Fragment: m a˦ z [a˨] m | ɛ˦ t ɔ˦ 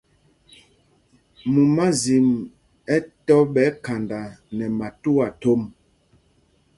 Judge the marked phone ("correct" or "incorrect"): incorrect